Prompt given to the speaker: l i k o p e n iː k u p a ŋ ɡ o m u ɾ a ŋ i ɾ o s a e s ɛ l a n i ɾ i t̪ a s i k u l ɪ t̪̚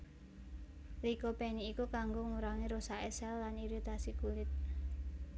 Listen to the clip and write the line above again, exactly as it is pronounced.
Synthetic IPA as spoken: l i k o p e n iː k u k a ŋ ɡ o ŋ u ɾ a ŋ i ɾ o s a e s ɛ lː a n i ɾ i t̪ a s i k u l ɪ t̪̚

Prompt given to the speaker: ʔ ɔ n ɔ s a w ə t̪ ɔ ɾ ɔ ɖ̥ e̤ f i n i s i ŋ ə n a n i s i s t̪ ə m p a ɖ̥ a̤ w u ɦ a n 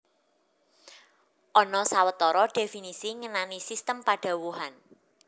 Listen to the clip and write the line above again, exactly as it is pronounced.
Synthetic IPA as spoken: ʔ ɔ n ɔ s a w ə t̪ ɔ ɾ ɔ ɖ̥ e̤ f i n i s i ŋ ə n a n i s i s t̪ ə m p a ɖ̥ a̤ w u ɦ a n

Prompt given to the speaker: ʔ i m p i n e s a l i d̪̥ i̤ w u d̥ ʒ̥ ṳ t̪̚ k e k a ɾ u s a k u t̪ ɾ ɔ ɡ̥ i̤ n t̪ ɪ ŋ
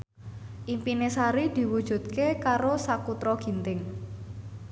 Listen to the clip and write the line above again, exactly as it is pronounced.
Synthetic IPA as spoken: ʔ i m p i n e s a ɾ i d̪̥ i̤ w u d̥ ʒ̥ ṳ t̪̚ k e k a ɾ o s a k u t̪ ɾ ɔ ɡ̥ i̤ n t̪ ɪ ŋ

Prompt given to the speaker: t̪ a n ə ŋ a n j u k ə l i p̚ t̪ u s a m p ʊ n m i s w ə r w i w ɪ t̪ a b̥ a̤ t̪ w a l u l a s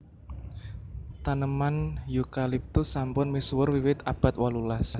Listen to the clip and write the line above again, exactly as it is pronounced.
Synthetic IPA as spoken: t̪ a n ə m a n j u k a l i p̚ t̪ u s a m p ʊ n m i s w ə r w i w ɪ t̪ a b̥ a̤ t̪ w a l u l a s

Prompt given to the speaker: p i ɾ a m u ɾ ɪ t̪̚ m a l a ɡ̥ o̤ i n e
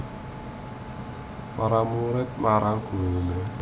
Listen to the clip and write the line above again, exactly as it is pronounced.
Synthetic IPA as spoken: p a ɾ a m u ɾ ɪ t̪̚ m a ɾ a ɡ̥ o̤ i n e

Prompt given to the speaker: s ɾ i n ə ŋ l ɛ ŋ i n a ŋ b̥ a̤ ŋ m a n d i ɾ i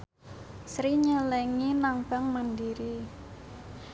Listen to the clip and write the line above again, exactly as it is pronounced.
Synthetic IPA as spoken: s ɾ i ɲ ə l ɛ ŋ i n a ŋ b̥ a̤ ŋ m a n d i ɾ i

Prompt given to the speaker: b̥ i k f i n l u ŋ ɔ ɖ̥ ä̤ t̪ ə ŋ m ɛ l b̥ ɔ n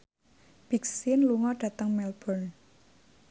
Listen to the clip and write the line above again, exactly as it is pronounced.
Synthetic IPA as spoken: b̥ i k s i n l u ŋ ɔ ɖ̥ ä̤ t̪ ə ŋ m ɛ l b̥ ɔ n

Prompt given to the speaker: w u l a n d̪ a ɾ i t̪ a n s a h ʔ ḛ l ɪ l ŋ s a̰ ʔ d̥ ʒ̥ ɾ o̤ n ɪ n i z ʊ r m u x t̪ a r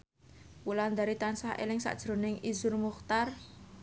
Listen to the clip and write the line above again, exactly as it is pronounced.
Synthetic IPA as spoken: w u l a n d̪ a ɾ i t̪ a n s a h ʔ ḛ l ɪ ŋ s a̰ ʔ d̥ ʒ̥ ɾ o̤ n ɪ ŋ i z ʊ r m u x t̪ a r

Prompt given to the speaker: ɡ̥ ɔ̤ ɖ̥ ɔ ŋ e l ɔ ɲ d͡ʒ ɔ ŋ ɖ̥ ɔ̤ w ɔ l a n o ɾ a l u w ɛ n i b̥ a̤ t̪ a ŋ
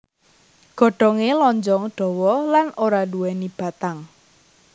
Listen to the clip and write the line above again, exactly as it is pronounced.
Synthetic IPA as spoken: ɡ̥ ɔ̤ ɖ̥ ɔ ŋ e l ɔ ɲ d͡ʒ ɔ ŋ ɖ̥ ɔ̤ w ɔ l a n o ɾ a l u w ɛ n i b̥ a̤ t̪ a ŋ

